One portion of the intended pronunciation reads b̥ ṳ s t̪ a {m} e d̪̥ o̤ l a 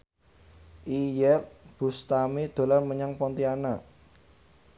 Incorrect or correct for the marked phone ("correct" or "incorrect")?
correct